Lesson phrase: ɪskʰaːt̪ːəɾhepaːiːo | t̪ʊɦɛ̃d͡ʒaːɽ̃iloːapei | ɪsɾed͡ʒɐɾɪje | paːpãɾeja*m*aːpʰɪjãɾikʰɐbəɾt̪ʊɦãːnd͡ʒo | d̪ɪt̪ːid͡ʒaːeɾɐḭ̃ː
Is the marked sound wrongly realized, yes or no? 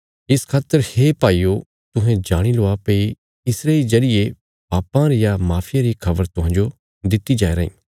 no